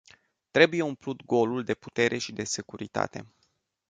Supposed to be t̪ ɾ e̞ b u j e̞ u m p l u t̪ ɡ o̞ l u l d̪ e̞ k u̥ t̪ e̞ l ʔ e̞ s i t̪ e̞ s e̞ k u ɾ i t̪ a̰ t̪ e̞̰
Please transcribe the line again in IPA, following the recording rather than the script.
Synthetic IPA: t̪ ɾ e̞ b u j e̞ u m p l u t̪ ɡ o̞ l u l d̪ e̞ p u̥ t̪ e̞ ɾ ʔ e̞ ʃ i d̪ e̞ s e̞ k u ɾ i t̪ a̰ t̪ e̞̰